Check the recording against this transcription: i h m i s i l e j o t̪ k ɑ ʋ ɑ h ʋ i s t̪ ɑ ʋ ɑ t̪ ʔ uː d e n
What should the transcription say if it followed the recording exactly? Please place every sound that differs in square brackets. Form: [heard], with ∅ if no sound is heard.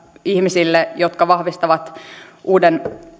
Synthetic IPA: i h m i s i [lː] e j o t̪ k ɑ ʋ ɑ h ʋ i s t̪ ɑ ʋ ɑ t̪ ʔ uː d e n